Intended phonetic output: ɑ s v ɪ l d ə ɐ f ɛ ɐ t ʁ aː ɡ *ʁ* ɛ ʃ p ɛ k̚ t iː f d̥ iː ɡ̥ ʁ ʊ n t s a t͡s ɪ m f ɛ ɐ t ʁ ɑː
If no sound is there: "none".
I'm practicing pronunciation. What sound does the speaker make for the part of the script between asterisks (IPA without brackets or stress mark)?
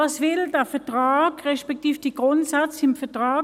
ʁ